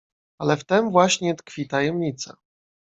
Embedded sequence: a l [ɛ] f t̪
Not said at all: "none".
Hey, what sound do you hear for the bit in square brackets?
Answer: ɛ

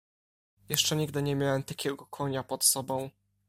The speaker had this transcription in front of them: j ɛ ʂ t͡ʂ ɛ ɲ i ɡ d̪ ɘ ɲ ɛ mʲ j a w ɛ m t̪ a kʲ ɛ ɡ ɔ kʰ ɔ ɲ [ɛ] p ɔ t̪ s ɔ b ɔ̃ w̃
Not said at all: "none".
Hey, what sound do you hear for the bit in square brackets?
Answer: a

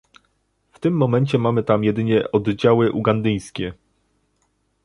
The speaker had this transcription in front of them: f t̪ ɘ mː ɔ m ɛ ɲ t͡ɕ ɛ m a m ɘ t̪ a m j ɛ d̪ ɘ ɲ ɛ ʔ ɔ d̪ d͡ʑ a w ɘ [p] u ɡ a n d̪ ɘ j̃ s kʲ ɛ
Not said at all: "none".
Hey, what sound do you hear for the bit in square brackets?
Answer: ʔ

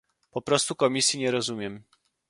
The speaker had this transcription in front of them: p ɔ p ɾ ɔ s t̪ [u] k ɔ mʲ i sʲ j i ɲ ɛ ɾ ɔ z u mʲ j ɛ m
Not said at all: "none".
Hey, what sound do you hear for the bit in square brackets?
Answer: u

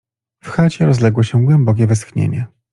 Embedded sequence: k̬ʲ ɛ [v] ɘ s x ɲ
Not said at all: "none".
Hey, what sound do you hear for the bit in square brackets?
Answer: v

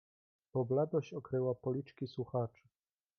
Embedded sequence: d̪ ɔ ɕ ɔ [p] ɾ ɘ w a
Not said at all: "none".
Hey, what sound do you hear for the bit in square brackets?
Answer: k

